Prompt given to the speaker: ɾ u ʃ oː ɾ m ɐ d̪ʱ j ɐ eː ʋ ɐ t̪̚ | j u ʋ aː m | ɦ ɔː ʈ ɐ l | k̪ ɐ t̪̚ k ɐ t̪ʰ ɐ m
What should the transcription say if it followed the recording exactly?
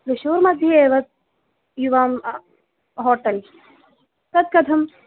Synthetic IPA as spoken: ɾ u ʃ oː ɾ m ɐ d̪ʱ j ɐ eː ʋ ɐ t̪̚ | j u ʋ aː m | ɦ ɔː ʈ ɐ l | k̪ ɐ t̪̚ k ɐ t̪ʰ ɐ m